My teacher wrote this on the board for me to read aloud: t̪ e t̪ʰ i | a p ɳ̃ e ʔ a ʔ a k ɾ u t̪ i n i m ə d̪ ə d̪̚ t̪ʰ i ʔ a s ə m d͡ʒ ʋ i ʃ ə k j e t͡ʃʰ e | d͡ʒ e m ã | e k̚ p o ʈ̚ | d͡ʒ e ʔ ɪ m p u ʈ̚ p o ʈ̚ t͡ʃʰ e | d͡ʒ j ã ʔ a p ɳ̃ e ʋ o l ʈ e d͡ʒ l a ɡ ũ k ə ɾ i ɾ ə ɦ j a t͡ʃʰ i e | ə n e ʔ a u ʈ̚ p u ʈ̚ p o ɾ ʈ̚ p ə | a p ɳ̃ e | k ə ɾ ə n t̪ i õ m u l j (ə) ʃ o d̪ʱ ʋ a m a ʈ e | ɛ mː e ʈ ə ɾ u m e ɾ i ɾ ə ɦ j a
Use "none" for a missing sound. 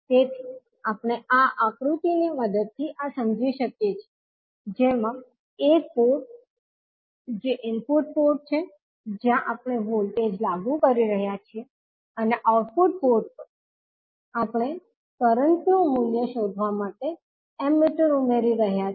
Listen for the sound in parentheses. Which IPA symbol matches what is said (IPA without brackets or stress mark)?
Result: ə